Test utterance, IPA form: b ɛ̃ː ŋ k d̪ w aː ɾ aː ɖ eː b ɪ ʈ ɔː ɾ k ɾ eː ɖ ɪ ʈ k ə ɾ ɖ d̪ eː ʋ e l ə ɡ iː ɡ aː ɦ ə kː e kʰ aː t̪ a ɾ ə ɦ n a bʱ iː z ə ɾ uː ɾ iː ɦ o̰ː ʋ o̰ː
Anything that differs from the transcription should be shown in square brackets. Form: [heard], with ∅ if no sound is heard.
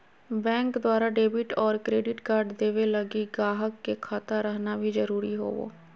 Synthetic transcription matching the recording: b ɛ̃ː ŋ k d̪ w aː ɾ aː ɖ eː b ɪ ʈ ɔː ɾ k ɾ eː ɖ ɪ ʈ k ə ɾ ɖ d̪ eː ʋ e l ə ɡ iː ɡ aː ɦ ə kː e kʰ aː t̪ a ɾ ə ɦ n a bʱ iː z ə ɾ uː ɾ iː ɦ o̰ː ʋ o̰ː